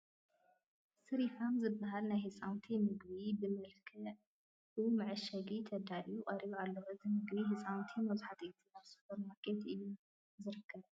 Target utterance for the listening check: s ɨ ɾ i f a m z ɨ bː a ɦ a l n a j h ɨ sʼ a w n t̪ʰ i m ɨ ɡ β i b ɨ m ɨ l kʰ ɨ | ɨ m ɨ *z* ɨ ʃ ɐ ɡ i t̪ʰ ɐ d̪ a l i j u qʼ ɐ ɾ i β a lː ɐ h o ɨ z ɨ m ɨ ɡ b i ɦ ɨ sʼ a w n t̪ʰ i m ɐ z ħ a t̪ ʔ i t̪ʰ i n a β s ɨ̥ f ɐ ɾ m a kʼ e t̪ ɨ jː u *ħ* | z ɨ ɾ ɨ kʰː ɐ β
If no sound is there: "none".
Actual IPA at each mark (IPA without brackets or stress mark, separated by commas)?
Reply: ʕ, none